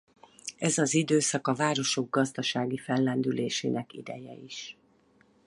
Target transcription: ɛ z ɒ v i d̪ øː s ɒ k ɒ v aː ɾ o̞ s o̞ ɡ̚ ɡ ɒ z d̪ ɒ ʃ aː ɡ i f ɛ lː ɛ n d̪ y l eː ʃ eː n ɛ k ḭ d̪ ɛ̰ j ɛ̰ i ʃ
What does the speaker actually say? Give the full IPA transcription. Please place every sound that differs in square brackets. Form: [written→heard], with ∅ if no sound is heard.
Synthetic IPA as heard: ɛ z ɒ [v→z] i d̪ øː s ɒ k ɒ v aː ɾ o̞ [s→ʃ] o̞ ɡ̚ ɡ ɒ z d̪ ɒ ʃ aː ɡ i f ɛ lː ɛ n d̪ y l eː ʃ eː n ɛ k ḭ d̪ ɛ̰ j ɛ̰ i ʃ